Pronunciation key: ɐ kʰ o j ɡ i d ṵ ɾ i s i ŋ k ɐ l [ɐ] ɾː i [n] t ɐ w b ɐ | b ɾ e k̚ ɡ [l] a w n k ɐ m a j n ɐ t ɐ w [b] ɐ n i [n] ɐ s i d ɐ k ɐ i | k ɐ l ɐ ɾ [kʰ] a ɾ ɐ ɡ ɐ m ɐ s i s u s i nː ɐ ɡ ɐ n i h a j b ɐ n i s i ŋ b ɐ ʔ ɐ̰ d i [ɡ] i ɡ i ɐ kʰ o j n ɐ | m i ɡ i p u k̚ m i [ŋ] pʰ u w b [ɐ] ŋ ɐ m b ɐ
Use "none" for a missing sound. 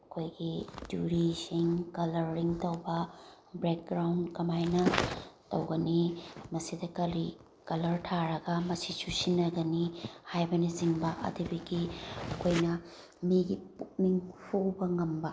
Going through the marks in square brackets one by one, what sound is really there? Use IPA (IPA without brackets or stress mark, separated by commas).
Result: ɐ, ŋ, ɾ, ɡ, m, tʰ, b, ŋ, ɐ